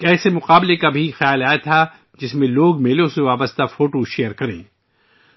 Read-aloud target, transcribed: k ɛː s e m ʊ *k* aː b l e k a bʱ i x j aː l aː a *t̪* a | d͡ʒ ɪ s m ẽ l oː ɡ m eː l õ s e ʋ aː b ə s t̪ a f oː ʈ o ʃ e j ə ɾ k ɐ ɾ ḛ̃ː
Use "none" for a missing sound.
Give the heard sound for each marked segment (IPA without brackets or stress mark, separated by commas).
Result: q, t̪ʰ